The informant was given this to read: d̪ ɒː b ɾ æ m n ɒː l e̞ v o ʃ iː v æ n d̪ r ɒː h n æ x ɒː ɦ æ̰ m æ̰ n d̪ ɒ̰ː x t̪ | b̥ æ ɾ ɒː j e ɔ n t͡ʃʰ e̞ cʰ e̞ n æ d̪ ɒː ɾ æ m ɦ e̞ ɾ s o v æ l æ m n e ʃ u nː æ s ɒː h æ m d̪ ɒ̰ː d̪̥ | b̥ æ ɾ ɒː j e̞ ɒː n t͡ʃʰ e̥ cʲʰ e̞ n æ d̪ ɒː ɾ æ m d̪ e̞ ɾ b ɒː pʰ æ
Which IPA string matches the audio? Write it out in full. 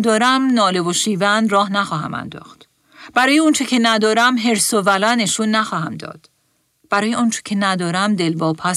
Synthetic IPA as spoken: d̪ ɒː ɾ æ m n ɒː l e̞ v o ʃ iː v æ n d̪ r ɒː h n æ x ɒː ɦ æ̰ m æ̰ n d̪ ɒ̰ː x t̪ | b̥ æ ɾ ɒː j e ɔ n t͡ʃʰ e̞ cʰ e̞ n æ d̪ ɒː ɾ æ m ɦ e̞ ɾ s o v æ l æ n e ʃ u nː æ x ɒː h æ m d̪ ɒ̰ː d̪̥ | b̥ æ ɾ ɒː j e̞ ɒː n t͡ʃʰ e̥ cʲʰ e̞ n æ d̪ ɒː ɾ æ m d̪ e̞ l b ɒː pʰ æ